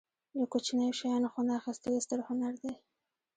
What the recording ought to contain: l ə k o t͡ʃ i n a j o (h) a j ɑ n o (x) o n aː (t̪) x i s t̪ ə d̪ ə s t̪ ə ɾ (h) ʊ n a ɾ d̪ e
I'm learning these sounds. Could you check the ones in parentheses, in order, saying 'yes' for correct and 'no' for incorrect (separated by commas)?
no, yes, no, yes